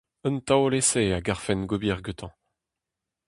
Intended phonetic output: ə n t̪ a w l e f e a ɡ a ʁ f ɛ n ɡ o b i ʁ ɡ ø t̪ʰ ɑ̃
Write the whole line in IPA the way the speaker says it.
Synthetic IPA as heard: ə n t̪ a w l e s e a ɡ a ʁ f ɛ n ɡ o b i ʁ ɡ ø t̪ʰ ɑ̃